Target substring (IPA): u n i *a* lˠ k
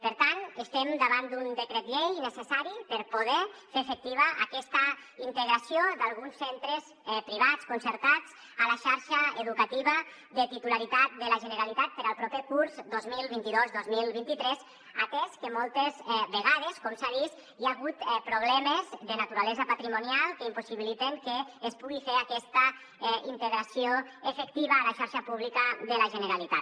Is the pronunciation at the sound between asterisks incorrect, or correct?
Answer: correct